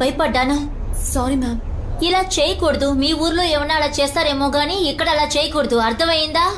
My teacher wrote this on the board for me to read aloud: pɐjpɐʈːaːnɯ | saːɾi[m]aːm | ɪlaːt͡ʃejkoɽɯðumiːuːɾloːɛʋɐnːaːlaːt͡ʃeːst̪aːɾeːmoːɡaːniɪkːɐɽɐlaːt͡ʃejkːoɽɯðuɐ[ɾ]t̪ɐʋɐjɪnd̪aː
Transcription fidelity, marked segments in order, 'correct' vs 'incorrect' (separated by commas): correct, correct